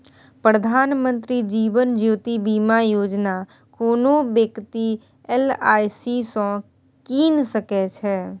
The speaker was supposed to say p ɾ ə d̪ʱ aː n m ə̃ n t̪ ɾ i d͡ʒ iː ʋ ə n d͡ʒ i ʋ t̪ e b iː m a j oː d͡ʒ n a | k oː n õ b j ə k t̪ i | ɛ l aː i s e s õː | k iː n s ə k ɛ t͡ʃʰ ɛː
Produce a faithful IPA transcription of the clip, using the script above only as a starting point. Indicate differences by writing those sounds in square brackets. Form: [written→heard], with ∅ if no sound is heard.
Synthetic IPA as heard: p ɾ ə d̪ʱ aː n m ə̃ n t̪ ɾ i d͡ʒ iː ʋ ə n d͡ʒ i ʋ t̪ [e→i] b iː m a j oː d͡ʒ n a | k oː n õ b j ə k t̪ i | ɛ l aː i s [e→i] s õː | k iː n s ə k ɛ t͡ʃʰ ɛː